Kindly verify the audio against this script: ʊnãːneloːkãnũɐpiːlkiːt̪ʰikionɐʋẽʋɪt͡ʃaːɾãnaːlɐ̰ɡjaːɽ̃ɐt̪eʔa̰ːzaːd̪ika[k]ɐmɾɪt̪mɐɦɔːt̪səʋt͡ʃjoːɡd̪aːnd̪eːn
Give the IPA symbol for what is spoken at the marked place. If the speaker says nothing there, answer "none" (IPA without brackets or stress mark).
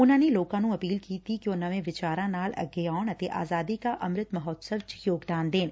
ʔ